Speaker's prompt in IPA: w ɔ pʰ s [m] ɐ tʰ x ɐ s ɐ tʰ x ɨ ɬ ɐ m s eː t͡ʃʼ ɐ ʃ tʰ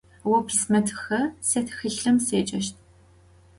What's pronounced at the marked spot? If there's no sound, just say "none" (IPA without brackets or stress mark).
m